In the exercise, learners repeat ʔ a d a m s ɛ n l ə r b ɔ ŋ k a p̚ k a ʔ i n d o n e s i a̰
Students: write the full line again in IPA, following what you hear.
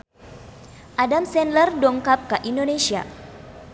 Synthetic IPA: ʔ a d a m s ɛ n l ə r d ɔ ŋ k a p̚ k a ʔ i n d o n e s i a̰